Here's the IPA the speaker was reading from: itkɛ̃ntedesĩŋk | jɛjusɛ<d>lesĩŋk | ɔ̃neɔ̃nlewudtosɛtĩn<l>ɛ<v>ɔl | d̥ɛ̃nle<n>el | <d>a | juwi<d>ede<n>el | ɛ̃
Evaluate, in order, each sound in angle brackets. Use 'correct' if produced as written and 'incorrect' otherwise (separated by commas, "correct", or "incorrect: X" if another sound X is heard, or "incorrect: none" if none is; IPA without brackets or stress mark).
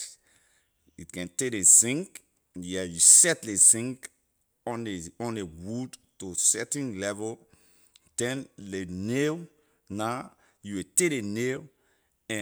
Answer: incorrect: t, correct, correct, correct, incorrect: n, incorrect: t, correct